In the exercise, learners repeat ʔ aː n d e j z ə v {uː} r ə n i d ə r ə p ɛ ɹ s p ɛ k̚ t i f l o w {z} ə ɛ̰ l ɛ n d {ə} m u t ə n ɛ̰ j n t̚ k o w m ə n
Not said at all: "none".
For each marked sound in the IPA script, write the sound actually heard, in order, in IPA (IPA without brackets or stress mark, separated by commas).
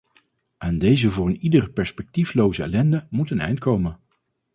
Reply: ʊː, z, ə